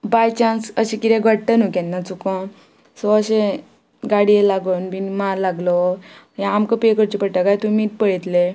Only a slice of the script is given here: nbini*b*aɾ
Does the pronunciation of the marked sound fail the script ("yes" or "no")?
yes